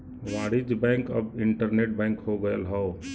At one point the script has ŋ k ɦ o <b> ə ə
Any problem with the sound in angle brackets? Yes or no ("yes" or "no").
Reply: yes